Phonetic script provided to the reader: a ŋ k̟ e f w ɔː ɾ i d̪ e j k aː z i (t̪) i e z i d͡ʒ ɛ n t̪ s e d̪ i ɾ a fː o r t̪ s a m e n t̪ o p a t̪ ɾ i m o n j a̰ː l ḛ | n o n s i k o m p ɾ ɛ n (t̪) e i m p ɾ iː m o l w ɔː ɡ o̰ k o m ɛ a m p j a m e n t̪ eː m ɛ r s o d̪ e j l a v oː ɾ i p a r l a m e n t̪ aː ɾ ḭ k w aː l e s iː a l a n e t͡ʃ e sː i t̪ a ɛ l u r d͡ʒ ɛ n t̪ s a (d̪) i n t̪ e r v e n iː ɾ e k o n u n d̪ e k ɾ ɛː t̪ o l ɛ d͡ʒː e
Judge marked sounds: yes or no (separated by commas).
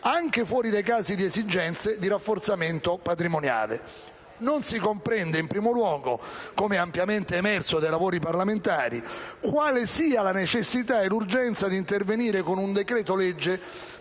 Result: no, no, yes